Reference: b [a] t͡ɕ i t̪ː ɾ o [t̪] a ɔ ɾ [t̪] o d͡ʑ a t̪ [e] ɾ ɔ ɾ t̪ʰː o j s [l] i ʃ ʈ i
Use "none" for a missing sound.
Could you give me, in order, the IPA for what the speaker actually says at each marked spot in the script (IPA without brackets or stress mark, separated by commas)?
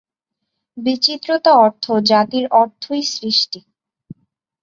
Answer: i, t̪, t̪ʰ, i, ɾ